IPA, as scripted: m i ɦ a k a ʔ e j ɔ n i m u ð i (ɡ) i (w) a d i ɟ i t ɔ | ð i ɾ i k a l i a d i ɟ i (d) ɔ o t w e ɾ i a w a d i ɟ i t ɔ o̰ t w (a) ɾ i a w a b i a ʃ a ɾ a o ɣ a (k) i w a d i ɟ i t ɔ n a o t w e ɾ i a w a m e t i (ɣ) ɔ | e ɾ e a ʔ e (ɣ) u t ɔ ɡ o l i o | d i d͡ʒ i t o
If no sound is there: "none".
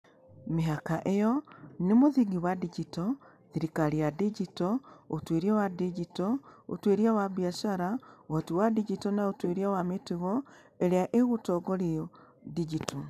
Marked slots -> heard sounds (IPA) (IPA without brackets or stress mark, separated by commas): ɡ, w, t, e, t, ɣ, ɣ